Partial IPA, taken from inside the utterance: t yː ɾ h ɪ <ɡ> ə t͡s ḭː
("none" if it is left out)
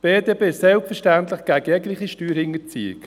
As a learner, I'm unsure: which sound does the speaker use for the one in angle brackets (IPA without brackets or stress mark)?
ŋ